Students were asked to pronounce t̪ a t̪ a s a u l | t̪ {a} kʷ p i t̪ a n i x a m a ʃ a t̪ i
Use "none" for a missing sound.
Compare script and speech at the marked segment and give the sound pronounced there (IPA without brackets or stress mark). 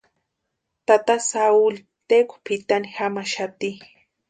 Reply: e